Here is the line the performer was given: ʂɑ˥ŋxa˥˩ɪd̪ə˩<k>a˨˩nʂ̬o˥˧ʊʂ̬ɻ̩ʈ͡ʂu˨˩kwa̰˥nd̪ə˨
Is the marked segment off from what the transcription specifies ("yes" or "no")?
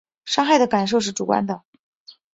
no